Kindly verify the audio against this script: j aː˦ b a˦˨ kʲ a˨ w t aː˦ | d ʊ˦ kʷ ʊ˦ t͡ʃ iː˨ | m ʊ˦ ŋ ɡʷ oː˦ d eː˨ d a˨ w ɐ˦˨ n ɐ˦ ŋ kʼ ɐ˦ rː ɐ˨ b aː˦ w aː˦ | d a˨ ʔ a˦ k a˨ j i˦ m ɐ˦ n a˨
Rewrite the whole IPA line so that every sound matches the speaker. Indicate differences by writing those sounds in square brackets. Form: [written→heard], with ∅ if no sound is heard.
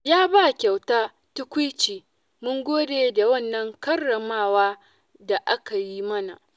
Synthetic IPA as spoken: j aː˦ b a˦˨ kʲ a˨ w t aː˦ | [d→t] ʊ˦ kʷ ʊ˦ t͡ʃ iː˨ | m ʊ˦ ŋ ɡʷ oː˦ d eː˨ d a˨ w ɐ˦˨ [n→nː] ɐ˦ ŋ [kʼ→k] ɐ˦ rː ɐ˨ [b→m] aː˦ w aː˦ | d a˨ ʔ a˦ k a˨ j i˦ m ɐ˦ n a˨